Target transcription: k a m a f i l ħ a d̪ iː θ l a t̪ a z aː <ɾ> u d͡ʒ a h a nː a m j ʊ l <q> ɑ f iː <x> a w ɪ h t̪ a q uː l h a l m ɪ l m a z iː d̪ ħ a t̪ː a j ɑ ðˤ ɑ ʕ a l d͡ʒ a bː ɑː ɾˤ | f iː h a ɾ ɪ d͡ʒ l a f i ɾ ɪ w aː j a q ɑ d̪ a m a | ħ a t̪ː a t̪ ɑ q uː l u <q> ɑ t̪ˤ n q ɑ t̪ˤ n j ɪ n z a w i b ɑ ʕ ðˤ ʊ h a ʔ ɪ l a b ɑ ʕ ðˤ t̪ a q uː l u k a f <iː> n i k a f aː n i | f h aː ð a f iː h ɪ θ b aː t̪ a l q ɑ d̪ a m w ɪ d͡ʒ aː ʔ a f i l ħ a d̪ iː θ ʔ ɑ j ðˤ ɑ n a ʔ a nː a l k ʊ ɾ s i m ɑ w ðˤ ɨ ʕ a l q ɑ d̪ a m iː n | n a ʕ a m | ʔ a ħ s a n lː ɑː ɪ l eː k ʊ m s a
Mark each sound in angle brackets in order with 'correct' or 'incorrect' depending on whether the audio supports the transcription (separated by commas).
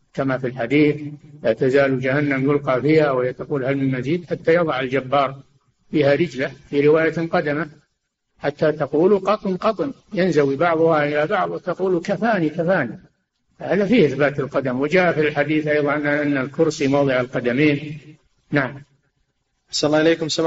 incorrect, correct, incorrect, correct, incorrect